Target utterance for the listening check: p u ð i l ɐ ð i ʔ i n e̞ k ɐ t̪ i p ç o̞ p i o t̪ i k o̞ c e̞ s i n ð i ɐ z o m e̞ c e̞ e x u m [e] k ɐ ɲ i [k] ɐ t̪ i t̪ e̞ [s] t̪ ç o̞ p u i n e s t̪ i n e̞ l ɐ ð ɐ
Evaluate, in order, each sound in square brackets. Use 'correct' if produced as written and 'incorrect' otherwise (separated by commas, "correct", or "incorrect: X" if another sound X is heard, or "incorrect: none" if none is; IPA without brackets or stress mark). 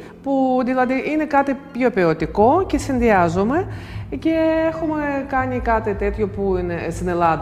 correct, correct, incorrect: none